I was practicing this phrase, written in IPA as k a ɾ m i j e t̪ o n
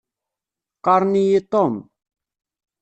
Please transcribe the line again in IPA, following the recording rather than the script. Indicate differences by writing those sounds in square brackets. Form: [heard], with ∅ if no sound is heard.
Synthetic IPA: k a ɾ [n] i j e t̪ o [m]